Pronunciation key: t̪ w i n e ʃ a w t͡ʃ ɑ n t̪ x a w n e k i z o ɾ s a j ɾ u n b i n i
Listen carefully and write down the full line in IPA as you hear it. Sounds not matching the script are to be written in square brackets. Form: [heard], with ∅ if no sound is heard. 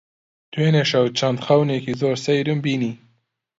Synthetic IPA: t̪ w [e] n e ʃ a w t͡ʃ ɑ n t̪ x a w n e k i z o ɾ s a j ɾ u [m] b i n i